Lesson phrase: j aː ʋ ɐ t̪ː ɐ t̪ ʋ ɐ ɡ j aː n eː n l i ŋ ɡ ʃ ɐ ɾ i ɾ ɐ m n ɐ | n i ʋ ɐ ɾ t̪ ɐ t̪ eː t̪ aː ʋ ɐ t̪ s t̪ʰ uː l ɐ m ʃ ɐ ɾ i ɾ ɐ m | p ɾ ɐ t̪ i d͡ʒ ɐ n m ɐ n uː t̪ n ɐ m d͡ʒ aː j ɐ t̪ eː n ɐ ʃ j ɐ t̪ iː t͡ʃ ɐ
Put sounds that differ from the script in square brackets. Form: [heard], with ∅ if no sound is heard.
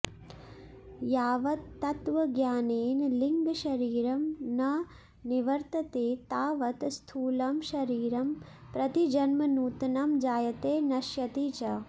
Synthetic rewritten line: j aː ʋ ɐ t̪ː ɐ t̪ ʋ ɐ ɡ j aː n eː n l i ŋ ɡ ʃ ɐ ɾ [iː] ɾ ɐ m n ɐ | n i ʋ ɐ ɾ t̪ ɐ t̪ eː t̪ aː ʋ ɐ t̪ s t̪ʰ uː l ɐ m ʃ ɐ ɾ [iː] ɾ ɐ m | p ɾ ɐ t̪ i d͡ʒ ɐ n m ɐ n uː t̪ n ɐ m d͡ʒ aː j ɐ t̪ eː n ɐ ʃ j ɐ t̪ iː t͡ʃ ɐ